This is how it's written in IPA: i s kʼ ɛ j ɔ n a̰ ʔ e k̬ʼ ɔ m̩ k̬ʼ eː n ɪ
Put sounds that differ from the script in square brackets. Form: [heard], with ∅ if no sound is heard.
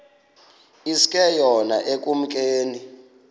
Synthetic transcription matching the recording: i s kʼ ɛ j ɔ n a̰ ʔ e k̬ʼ [u] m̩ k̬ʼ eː n [i]